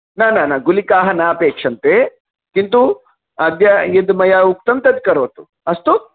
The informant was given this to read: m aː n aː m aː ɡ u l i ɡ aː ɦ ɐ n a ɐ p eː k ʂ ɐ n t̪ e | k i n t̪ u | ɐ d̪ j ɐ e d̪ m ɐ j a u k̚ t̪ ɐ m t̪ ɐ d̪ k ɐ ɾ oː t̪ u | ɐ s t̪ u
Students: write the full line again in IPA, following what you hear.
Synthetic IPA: n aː n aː n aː ɡ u l i k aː ɦ ɐ n a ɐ p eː k ʂ ɐ n t̪ e | k i n t̪ u | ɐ d̪ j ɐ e d̪ m ɐ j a u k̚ t̪ ɐ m t̪ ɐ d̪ k ɐ ɾ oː t̪ u | ɐ s t̪ u